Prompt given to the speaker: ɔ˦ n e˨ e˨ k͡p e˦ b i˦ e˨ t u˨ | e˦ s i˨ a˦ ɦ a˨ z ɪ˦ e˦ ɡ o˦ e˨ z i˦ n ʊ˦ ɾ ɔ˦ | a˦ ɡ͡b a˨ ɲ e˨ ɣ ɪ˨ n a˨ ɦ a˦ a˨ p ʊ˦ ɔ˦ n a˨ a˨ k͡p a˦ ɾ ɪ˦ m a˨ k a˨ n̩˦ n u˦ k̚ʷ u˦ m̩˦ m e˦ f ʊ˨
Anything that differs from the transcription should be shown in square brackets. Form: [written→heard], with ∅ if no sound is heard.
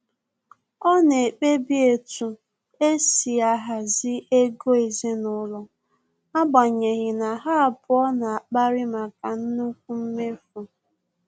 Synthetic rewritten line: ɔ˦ n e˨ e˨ k͡p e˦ b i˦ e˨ t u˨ | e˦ s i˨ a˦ ɦ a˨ z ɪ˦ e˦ ɡ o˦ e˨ z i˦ n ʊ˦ [ɾ→l] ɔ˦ | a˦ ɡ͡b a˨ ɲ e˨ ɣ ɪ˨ n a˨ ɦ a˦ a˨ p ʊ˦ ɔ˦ n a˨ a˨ k͡p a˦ ɾ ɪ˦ m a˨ k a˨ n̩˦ n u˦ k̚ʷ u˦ m̩˦ m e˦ f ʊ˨